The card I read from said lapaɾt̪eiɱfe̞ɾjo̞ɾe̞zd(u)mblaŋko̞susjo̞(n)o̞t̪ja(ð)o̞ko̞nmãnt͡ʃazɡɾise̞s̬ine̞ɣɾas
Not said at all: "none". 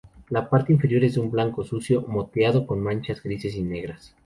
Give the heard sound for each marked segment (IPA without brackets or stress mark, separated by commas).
u, m, ð